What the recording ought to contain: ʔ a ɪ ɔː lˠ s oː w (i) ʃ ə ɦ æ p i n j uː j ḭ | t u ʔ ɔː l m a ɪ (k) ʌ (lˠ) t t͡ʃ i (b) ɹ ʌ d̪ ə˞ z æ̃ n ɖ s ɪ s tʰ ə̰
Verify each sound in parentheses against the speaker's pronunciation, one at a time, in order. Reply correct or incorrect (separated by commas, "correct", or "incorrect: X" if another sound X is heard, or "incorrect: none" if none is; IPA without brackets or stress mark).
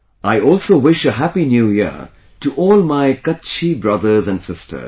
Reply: incorrect: ɪ, correct, incorrect: none, correct